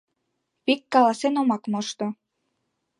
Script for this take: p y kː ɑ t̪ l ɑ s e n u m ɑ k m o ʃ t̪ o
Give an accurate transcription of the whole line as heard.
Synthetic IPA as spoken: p i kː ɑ l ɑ s e n o m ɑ k m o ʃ t̪ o